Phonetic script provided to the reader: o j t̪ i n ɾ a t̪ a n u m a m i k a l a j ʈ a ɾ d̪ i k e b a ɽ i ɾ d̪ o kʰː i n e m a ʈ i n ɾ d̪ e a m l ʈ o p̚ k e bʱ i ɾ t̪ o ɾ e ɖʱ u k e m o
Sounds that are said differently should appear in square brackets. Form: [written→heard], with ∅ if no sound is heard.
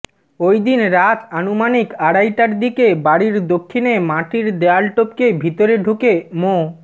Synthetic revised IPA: o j [t̪→d̪] i n ɾ a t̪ a n u m a [m→n] i k a [l→ɽ] a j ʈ a ɾ d̪ i k e b a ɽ i ɾ d̪ o kʰː i n e m a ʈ i [n→∅] ɾ d̪ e a [m→∅] l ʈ o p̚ k e bʱ i [ɾ→∅] t̪ o ɾ e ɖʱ u k e m o

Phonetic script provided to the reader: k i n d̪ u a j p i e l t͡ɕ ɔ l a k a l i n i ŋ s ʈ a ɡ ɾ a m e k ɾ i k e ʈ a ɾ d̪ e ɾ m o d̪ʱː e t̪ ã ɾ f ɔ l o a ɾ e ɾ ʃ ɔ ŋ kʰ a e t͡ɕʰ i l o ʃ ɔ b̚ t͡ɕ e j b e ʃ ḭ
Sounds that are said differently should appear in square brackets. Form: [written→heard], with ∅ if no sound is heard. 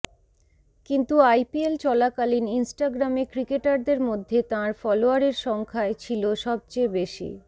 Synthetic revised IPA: k i n [d̪→t̪] u a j p i e l t͡ɕ ɔ l a k a l i n i [ŋ→n] s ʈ a ɡ ɾ a m e k ɾ i k e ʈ a ɾ d̪ e ɾ m o d̪ʱː e t̪ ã ɾ f ɔ l o a ɾ e ɾ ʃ ɔ ŋ kʰ a e t͡ɕʰ i l o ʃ ɔ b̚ t͡ɕ e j b e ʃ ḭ

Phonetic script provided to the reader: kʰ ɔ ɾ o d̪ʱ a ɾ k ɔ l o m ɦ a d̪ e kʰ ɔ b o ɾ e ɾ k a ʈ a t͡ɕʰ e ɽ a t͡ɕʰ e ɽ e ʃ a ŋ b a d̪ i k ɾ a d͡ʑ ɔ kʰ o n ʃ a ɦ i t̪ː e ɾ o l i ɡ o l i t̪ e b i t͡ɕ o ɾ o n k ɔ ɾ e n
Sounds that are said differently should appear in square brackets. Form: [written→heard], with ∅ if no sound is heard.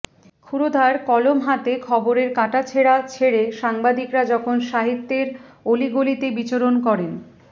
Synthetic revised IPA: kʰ [ɔ→u] ɾ o d̪ʱ a ɾ k ɔ l o m ɦ a [d̪→t̪] e kʰ ɔ b o ɾ e ɾ k a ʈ a t͡ɕʰ e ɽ a t͡ɕʰ e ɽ e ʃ a ŋ b a d̪ i k ɾ a d͡ʑ ɔ kʰ o n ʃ a ɦ i t̪ː e ɾ o l i ɡ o l i t̪ e b i t͡ɕ o ɾ o n k ɔ ɾ e n

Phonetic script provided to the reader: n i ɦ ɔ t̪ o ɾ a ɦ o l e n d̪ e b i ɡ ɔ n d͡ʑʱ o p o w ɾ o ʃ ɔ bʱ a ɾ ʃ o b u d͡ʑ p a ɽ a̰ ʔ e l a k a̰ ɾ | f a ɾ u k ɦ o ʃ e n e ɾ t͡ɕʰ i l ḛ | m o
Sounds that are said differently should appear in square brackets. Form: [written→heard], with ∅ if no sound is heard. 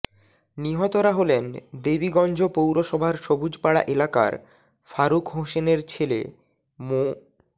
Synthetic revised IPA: n i ɦ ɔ t̪ o ɾ a ɦ o l e n d̪ e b i ɡ ɔ n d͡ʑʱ o p o w ɾ o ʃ ɔ bʱ a ɾ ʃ o b u d͡ʑ p a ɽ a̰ ʔ e l a k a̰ ɾ | f a ɾ u k ɦ o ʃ e n e ɾ t͡ɕʰ [i→e] l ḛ | m o

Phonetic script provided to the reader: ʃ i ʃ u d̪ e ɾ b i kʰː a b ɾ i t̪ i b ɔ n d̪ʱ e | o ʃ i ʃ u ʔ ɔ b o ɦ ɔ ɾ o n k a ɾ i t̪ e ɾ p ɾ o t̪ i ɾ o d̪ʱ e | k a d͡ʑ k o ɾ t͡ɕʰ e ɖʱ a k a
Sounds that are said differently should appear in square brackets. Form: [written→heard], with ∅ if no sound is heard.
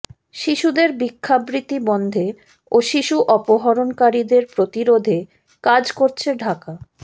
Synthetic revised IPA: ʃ i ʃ u d̪ e ɾ b i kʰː a b ɾ i t̪ i b ɔ n d̪ʱ e | o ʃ i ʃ u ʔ ɔ [b→p] o ɦ ɔ ɾ o n k a ɾ i [t̪→d̪] e ɾ p ɾ o t̪ i ɾ o d̪ʱ e | k a d͡ʑ k o ɾ t͡ɕʰ e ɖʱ a k a

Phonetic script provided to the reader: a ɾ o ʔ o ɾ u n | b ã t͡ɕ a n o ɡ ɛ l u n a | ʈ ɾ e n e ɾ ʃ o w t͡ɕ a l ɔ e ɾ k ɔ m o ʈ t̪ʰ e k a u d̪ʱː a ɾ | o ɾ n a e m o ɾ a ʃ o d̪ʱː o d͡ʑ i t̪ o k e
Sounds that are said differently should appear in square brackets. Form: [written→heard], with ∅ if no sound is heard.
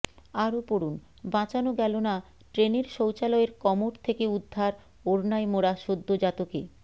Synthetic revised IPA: a ɾ o [ʔ→p] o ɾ u n | b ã t͡ɕ a n o ɡ ɛ l [u→o] n a | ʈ ɾ e n e ɾ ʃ o w t͡ɕ a l ɔ e ɾ k ɔ m o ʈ t̪ʰ e k [a→e] u d̪ʱː a ɾ | o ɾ n a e m o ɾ a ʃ o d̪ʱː o d͡ʑ [i→a] t̪ o k e

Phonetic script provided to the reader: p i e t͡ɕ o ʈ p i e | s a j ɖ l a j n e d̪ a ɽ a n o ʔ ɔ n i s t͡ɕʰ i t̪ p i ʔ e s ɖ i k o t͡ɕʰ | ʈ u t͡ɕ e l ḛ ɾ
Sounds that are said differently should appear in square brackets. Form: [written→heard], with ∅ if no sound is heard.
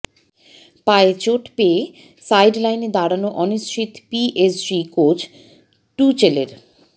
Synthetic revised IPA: p [i→a] e t͡ɕ o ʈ p [i→e] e | s a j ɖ l a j n e d̪ a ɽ a n o ʔ ɔ n i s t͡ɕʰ i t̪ p i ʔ e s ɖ i k o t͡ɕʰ | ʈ u t͡ɕ e l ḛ ɾ

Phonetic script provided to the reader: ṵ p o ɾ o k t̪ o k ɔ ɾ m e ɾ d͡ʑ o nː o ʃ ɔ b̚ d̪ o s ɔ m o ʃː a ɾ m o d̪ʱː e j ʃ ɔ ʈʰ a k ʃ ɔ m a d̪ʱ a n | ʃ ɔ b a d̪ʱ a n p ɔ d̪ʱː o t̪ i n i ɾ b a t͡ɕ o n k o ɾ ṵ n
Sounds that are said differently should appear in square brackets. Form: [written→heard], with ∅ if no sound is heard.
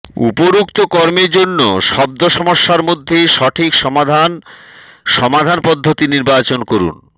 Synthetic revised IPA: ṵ p o ɾ [o→u] k t̪ o k ɔ ɾ m e ɾ d͡ʑ o nː o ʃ ɔ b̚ d̪ o [s→ʃ] ɔ m o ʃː a ɾ m o d̪ʱː e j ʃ ɔ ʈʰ [a→i] k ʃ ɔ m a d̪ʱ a n | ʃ ɔ [b→m] a d̪ʱ a n p ɔ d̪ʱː o t̪ i n i ɾ b a t͡ɕ o n k o ɾ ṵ n

